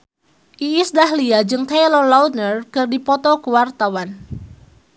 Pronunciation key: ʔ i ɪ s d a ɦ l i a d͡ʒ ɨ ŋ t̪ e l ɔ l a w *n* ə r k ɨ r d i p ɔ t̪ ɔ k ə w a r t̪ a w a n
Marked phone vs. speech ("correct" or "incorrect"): correct